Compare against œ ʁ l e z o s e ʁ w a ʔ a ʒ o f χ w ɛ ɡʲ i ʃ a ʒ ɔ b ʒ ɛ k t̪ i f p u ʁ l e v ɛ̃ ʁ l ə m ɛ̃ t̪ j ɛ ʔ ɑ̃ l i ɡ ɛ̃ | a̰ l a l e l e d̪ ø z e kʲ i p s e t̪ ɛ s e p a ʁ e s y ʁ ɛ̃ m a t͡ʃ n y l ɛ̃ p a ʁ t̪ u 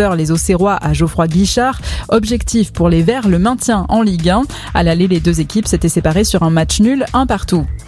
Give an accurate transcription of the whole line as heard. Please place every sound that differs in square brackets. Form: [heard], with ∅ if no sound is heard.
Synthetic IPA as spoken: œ ʁ l e z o s e ʁ w a ʔ a ʒ o f χ w [a] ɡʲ i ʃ a [ʁ] ɔ b ʒ ɛ k t̪ i f p u ʁ l e v [ɛ] ʁ l ə m ɛ̃ t̪ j [ɛ̃] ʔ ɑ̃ l i ɡ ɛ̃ | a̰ l a l e l e d̪ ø z e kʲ i p s e t̪ ɛ s e p a ʁ e s y ʁ ɛ̃ m a t͡ʃ n y l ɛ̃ p a ʁ t̪ u